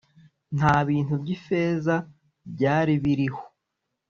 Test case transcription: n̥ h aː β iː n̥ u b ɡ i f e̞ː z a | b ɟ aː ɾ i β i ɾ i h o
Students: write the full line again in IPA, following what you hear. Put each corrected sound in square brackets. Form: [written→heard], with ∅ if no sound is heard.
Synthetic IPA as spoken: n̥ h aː β iː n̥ u b [ɡ→ɟ] i f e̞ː z a | b ɟ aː ɾ i β i ɾ i h o